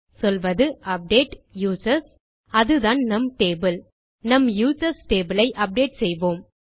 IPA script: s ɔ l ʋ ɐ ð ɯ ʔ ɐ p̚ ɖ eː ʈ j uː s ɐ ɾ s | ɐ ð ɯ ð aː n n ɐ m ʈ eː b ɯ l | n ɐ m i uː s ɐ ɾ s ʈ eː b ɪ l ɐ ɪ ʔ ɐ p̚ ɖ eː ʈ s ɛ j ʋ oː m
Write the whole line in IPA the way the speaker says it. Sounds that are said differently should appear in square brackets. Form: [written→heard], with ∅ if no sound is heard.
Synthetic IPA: s ɔ l ʋ ɐ ð ɯ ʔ ɐ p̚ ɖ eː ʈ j uː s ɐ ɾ s | ɐ ð ɯ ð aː n n ɐ m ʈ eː b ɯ l | n ɐ m [i→j] uː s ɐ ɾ s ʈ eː b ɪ l ɐ ɪ ʔ ɐ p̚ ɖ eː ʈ s ɛ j ʋ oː m

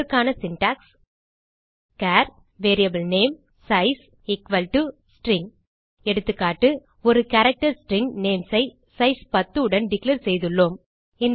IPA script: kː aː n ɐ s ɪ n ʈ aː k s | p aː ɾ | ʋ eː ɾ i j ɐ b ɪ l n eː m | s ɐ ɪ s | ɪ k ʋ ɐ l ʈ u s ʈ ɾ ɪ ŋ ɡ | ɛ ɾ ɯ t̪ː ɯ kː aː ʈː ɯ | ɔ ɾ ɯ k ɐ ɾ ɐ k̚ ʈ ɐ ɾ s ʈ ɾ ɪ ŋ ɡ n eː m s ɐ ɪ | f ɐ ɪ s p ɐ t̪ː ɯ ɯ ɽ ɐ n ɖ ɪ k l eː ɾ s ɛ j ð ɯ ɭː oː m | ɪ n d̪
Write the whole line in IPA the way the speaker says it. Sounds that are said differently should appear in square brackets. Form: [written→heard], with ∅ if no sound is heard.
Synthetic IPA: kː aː n ɐ s ɪ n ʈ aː k s | [p→k] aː ɾ | ʋ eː ɾ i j ɐ b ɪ l n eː m | s ɐ ɪ s | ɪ k ʋ ɐ l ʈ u s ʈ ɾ ɪ ŋ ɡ | ɛ [ɾ→ɽ] ɯ t̪ː ɯ kː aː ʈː ɯ | ɔ ɾ ɯ k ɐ ɾ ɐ k̚ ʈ ɐ ɾ s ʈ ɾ ɪ ŋ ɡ n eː m s ɐ ɪ | [f→s] ɐ ɪ s p ɐ t̪ː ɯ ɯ ɽ ɐ n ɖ ɪ k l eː ɾ s ɛ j ð ɯ ɭː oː m | ɪ n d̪

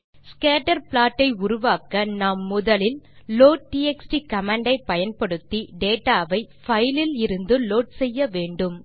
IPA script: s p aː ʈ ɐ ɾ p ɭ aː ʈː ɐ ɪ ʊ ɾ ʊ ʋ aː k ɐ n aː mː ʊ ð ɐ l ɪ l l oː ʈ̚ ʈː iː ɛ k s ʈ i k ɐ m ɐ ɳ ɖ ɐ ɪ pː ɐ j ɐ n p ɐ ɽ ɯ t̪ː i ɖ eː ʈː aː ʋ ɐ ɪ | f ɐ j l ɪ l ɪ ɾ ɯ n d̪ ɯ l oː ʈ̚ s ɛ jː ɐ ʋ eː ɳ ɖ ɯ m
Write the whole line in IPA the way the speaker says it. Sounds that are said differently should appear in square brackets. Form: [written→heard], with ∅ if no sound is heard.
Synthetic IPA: s [p→k] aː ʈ ɐ ɾ p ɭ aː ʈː ɐ ɪ ʊ ɾ ʊ ʋ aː k ɐ n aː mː ʊ ð ɐ l ɪ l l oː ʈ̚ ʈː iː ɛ k s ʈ i k ɐ m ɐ ɳ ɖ ɐ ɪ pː ɐ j ɐ n p ɐ ɽ ɯ t̪ː i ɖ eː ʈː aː ʋ ɐ ɪ | f ɐ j l ɪ l ɪ ɾ ɯ n d̪ ɯ l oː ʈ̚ s ɛ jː ɐ ʋ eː ɳ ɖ ɯ m

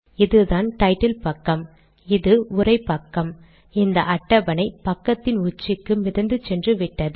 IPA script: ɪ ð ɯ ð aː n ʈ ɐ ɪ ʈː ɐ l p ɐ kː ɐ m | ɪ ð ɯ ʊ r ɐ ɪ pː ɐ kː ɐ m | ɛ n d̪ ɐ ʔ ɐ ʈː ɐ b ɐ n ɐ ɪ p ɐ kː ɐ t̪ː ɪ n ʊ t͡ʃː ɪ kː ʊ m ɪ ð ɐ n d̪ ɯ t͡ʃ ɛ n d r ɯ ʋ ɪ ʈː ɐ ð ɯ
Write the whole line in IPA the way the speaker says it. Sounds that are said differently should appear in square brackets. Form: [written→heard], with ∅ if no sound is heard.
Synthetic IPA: ɪ ð ɯ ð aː n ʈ ɐ ɪ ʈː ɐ l p ɐ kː ɐ m | ɪ ð ɯ ʊ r ɐ ɪ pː ɐ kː ɐ m | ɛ n d̪ ɐ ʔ ɐ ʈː ɐ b ɐ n ɐ ɪ p ɐ kː ɐ t̪ː ɪ n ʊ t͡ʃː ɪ kː [ʊ→ɯ] m ɪ ð ɐ n d̪ ɯ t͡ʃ ɛ n d r ɯ ʋ ɪ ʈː ɐ ð ɯ

